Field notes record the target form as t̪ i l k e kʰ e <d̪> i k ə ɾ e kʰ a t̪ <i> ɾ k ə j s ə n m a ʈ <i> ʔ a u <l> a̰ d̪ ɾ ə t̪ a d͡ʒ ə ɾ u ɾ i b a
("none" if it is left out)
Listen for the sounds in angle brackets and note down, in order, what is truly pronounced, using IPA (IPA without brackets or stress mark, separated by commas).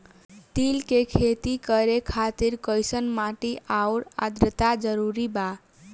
t̪, i, i, ɾ